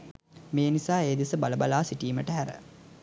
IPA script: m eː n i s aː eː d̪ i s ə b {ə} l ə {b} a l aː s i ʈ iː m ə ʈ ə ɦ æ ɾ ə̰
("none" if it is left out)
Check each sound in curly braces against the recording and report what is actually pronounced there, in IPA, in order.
a, b

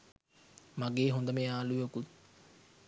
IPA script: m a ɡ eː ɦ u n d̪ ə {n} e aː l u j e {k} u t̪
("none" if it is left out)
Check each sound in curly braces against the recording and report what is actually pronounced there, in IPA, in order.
m, k

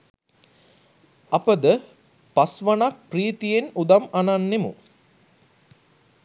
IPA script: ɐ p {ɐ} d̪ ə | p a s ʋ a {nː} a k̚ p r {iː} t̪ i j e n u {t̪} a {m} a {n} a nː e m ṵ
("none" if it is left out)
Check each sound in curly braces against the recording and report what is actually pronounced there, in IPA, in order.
ə, n, iː, d̪, m, n

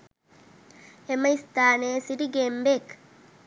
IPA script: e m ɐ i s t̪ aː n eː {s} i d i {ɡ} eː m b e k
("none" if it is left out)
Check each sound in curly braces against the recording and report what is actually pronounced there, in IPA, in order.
s, ɡ

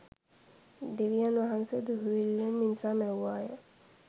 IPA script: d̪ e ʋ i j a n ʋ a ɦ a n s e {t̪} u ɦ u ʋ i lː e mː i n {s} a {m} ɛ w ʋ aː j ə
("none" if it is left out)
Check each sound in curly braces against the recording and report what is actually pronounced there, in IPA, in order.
d̪, s, m

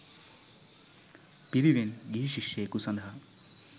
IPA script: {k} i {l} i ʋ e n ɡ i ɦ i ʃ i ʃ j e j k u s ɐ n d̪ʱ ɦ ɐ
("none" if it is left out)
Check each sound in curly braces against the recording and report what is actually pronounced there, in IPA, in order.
p, ɾ

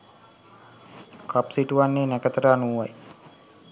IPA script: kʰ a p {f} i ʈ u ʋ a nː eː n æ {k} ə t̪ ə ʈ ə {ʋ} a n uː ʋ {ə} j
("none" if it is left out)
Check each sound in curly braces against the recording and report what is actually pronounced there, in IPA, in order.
s, k, none, a

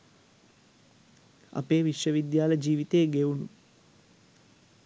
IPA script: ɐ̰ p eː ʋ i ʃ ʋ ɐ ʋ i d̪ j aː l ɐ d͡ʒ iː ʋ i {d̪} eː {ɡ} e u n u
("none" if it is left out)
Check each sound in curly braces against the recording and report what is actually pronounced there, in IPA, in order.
t̪, ɡ

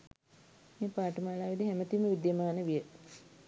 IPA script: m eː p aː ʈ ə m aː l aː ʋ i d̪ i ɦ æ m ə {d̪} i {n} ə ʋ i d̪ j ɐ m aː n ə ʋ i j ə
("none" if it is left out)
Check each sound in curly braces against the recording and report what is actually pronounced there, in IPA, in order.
t̪, m

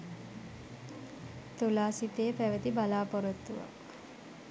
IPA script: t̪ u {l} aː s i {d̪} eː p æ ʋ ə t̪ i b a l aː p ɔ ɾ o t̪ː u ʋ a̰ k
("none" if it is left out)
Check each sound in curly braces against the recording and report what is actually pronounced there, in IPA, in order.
l, t̪

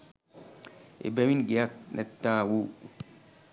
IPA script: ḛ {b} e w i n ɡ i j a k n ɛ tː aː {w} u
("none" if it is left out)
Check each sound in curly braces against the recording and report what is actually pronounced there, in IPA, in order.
b, w

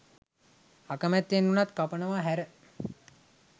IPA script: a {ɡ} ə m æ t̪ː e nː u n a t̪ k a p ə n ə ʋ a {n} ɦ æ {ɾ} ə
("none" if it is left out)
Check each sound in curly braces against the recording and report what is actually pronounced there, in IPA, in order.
k, none, ɾ

